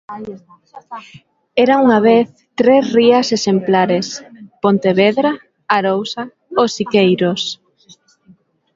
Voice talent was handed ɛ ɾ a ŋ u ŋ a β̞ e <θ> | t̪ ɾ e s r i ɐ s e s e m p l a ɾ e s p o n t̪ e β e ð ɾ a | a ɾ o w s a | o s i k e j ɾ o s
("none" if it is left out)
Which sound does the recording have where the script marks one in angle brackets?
θ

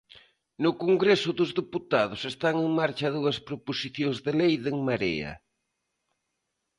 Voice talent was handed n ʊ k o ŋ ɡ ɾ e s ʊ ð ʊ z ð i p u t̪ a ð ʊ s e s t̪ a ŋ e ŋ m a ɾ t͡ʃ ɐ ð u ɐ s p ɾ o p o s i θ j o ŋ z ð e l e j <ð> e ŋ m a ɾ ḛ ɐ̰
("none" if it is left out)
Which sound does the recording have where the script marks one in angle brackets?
ð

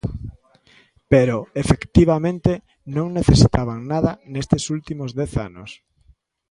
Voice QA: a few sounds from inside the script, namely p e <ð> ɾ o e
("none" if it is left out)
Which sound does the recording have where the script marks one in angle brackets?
none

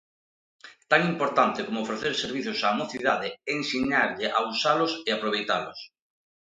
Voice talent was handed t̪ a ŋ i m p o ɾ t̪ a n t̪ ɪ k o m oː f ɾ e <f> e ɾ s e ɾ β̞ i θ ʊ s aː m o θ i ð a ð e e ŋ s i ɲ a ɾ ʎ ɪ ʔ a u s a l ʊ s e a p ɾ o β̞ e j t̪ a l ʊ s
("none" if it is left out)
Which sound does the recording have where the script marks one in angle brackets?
θ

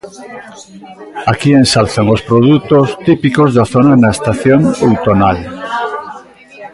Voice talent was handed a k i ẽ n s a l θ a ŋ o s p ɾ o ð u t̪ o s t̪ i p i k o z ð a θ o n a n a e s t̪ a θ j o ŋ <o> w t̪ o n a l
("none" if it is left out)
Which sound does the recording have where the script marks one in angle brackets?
o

